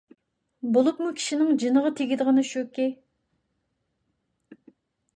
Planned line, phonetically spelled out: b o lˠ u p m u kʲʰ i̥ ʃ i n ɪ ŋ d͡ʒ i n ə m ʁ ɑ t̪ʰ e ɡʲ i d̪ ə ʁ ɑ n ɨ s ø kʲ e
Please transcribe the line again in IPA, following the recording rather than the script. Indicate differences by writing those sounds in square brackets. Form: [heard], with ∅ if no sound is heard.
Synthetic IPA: b o lˠ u p m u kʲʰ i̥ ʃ i n ɪ ŋ d͡ʒ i n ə [∅] ʁ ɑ t̪ʰ e ɡʲ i d̪ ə ʁ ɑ n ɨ [ʃ] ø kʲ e

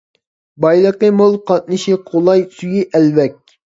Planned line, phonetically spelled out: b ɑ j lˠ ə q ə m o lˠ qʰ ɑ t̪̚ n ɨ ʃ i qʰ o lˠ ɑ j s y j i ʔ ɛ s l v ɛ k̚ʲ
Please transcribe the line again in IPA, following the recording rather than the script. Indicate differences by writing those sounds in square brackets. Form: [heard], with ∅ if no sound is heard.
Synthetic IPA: b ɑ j lˠ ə q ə m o lˠ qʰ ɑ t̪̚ n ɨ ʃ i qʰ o lˠ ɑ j s y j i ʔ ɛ [∅] l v ɛ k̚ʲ

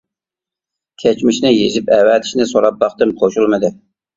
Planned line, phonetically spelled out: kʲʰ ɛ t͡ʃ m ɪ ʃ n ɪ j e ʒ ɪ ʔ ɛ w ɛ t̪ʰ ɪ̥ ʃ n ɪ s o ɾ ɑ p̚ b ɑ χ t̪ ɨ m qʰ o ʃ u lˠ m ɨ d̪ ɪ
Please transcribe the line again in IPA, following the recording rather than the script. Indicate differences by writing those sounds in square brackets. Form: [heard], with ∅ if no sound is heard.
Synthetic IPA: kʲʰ ɛ t͡ʃ m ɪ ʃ n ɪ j e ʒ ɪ [p] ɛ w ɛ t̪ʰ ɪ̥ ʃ n ɪ s o ɾ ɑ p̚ b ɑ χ t̪ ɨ m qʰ o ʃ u lˠ m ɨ d̪ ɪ

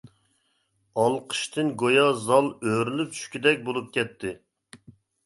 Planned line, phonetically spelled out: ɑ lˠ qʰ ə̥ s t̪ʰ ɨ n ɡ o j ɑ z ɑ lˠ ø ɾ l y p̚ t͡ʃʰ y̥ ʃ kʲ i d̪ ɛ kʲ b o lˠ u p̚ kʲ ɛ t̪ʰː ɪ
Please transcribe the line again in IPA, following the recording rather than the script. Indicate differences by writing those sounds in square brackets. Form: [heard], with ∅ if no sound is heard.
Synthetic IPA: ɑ lˠ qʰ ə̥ [ʃ] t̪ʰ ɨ n ɡ o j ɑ z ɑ lˠ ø ɾ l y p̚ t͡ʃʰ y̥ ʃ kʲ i d̪ ɛ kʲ b o lˠ u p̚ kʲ ɛ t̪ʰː ɪ

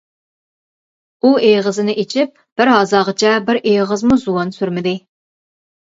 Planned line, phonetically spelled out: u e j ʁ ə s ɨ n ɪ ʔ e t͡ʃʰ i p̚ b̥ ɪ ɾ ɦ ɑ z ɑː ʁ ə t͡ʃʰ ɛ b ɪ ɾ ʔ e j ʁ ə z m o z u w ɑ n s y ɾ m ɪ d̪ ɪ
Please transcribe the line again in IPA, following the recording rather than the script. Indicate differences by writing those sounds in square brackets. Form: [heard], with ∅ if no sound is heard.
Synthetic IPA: u e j ʁ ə [z] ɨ n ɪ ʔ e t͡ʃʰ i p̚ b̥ ɪ ɾ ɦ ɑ z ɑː ʁ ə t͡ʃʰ ɛ b ɪ ɾ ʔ e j ʁ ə z m [u] z u w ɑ n s y ɾ m ɪ d̪ ɪ

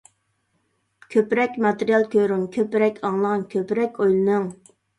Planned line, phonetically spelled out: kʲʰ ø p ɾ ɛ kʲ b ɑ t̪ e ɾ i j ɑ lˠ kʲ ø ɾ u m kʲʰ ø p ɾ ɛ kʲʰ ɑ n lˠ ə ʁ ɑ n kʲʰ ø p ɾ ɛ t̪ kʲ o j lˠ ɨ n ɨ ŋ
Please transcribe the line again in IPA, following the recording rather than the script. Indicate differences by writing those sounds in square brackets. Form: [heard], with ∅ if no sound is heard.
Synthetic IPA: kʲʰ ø p ɾ ɛ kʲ [m] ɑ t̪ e ɾ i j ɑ lˠ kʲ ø ɾ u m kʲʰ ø p ɾ ɛ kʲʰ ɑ [ŋ] lˠ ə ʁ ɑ n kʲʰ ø p ɾ ɛ [∅] kʲ o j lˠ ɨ n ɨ ŋ

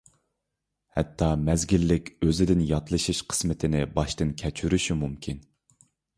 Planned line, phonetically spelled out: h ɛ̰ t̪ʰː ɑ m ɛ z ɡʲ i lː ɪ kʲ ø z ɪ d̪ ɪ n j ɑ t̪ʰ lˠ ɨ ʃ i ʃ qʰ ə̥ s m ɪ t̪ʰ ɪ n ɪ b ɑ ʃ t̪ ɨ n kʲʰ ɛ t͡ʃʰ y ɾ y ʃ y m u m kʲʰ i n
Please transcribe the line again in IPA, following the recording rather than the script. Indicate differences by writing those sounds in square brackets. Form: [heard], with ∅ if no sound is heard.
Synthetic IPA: h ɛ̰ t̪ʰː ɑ m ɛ z ɡʲ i lː ɪ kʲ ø z ɪ d̪ ɪ n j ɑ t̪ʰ lˠ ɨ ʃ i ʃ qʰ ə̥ s m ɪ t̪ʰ ɪ n ɪ b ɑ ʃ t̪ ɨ n kʲʰ ɛ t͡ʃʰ y ɾ y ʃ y m u m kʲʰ i n

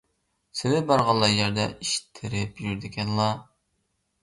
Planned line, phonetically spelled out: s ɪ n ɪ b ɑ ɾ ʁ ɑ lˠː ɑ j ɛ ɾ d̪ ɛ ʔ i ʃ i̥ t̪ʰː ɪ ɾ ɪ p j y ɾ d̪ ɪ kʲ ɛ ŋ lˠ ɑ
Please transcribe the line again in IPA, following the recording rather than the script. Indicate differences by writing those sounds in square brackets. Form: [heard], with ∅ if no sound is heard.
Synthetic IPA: s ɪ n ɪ b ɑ ɾ ʁ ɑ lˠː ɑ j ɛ ɾ d̪ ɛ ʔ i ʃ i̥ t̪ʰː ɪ ɾ ɪ p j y ɾ d̪ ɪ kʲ ɛ [n] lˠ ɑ

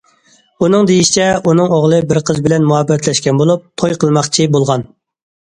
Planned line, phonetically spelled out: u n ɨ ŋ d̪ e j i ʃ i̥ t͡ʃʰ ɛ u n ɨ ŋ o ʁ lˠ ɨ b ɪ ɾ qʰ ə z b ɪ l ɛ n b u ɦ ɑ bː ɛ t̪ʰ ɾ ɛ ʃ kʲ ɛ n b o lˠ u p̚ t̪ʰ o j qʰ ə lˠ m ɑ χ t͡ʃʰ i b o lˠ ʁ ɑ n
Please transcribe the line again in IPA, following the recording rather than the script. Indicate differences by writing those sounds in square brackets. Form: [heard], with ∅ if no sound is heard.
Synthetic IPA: u n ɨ ŋ d̪ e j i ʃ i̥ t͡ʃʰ ɛ u n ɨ ŋ o ʁ lˠ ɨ b ɪ ɾ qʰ ə z b ɪ l ɛ n [m] u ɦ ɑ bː ɛ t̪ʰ [l] ɛ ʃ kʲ ɛ n b o lˠ u p̚ t̪ʰ o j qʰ ə lˠ m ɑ χ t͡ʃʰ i b o lˠ ʁ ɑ n

